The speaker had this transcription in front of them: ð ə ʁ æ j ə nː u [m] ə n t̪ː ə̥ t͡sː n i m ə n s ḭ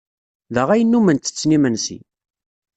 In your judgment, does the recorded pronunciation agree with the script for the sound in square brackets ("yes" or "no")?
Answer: yes